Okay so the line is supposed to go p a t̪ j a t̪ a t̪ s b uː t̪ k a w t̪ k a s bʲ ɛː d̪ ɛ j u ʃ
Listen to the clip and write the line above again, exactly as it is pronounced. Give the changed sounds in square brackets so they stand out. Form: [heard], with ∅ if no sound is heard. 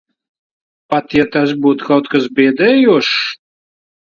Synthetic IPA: p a t̪ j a t̪ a [∅] s b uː t̪ k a w t̪ k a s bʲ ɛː d̪ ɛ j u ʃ